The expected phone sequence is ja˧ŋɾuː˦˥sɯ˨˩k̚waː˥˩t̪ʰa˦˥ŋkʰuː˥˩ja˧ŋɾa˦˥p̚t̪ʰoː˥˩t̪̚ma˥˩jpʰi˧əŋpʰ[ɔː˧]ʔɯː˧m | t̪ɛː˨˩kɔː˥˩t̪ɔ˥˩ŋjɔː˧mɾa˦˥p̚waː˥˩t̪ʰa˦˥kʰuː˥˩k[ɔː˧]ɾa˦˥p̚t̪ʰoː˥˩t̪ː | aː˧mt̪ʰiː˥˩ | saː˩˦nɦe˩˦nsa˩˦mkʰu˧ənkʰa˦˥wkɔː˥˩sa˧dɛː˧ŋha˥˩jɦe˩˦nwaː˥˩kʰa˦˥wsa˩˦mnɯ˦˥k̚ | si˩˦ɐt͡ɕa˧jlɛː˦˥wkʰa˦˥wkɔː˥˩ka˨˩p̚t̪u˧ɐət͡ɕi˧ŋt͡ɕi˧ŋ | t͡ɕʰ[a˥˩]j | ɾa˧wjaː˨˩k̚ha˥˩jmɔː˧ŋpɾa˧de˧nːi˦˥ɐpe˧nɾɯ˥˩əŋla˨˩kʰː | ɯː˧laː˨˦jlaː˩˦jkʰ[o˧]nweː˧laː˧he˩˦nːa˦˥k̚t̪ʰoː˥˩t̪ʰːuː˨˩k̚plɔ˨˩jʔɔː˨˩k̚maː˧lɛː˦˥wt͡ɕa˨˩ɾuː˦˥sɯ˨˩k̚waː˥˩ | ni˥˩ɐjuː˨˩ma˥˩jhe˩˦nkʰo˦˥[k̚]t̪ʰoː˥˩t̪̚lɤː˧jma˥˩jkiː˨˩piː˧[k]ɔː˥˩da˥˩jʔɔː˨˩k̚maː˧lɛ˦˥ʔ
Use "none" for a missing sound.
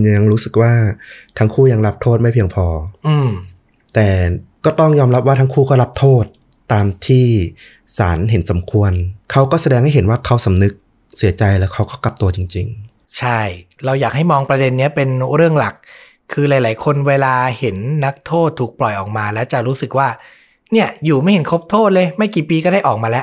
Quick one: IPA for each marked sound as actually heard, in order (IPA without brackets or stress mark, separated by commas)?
ɔː˧, ɔː˥˩, a˥˩, o˧, p̚, k